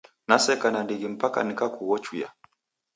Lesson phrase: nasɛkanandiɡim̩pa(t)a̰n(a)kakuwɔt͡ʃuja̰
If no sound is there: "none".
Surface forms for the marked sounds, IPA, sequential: k, i

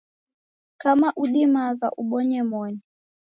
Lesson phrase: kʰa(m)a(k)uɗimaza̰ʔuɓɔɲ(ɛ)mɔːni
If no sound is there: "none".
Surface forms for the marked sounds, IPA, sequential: m, ʔ, ɛ

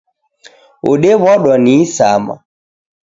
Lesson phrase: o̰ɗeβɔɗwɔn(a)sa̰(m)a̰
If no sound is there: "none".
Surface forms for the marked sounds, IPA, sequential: i, m

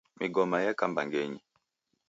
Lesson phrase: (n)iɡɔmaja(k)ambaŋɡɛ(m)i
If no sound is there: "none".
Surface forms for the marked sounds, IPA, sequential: m, k, ɲ

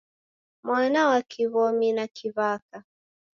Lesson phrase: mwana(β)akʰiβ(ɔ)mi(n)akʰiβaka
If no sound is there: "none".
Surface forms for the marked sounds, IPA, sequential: w, ɔ, n

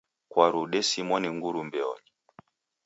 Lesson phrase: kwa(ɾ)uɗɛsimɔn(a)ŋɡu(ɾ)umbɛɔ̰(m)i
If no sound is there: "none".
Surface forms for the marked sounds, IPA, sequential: ɾ, i, ɾ, ɲ

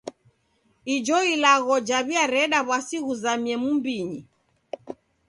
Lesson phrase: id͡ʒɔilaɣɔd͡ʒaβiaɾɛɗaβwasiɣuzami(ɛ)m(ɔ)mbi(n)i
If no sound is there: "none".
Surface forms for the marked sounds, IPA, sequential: ɛ, u, ɲ

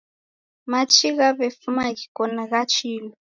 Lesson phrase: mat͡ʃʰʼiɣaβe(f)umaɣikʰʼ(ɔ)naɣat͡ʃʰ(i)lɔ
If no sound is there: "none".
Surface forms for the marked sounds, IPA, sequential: f, ɔ, iː

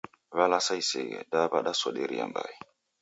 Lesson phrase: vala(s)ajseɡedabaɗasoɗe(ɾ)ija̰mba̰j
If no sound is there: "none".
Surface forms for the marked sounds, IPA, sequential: s, ɾ

